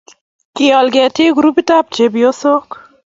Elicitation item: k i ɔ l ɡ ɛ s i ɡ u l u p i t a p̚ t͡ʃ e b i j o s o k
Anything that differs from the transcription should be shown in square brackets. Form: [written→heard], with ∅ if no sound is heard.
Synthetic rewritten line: k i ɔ l ɡ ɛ [s→t] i ɡ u [l→ɾ] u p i t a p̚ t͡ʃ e b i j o s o k